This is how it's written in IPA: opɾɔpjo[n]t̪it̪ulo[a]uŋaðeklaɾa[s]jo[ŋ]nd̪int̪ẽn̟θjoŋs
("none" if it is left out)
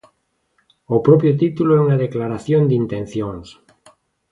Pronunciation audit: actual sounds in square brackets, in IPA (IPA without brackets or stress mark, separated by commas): none, ɛ, θ, none